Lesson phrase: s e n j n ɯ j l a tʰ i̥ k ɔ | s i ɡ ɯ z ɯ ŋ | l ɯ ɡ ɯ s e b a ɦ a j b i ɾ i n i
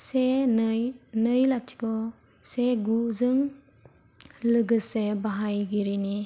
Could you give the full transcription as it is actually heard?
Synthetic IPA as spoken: s e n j n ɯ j l a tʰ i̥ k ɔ | s e ɡ u z ɯ ŋ | l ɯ ɡ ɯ s e b a ɦ a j ɡ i ɾ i n i